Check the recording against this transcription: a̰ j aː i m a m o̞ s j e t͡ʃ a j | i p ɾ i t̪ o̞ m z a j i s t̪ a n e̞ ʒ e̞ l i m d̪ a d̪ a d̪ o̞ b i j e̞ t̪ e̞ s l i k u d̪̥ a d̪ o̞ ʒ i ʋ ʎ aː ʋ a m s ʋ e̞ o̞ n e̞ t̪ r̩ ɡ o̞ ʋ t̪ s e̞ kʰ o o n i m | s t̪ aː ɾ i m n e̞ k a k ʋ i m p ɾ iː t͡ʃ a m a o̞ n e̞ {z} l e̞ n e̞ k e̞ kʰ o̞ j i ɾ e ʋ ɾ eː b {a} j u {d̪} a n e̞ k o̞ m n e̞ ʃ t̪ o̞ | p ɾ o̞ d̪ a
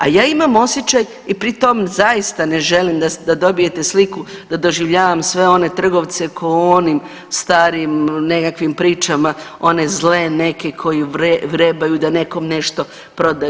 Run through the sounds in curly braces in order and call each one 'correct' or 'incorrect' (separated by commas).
correct, correct, correct